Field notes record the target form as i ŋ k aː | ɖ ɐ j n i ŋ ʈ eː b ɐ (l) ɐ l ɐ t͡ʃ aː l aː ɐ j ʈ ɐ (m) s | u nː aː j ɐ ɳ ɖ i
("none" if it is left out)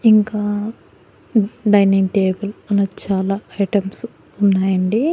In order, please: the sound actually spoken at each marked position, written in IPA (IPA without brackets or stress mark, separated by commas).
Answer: l, m